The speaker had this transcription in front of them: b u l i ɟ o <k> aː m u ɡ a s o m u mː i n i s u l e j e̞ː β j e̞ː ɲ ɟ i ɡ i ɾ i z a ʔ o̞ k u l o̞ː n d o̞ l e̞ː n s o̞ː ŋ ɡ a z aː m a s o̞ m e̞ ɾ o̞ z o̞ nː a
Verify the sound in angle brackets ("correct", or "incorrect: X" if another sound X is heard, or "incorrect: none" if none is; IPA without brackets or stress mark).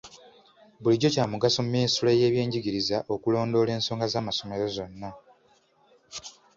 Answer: incorrect: c